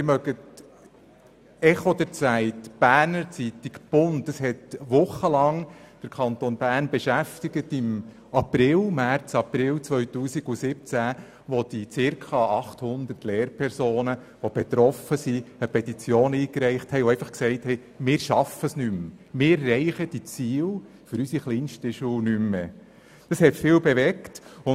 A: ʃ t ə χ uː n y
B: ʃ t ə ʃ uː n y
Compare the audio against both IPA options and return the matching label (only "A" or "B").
B